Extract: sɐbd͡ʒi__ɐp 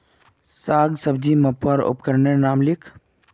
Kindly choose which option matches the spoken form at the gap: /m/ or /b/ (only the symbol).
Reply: m